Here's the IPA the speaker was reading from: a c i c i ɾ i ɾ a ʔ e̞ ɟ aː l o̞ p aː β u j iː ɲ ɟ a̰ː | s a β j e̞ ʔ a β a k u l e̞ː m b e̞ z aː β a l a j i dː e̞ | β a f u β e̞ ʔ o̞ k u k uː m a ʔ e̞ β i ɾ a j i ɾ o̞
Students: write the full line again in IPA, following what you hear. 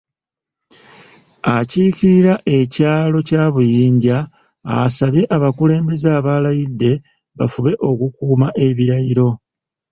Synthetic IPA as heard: a c i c i ɾ i ɾ a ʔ e̞ c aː l o̞ c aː β u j iː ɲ ɟ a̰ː | s a β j e̞ ʔ a β a k u l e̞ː m b e̞ z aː β a l a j i dː e̞ | β a f u β e̞ ʔ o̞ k u k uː m a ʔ e̞ β i ɾ a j i ɾ o̞